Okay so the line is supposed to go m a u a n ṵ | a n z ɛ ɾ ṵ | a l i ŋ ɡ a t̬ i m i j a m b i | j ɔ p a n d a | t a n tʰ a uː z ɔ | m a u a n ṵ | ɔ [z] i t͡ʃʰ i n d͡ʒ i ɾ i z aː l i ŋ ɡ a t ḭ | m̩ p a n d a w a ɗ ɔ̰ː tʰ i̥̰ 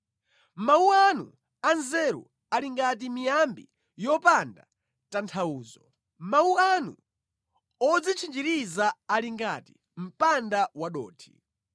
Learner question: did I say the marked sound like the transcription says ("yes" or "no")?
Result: no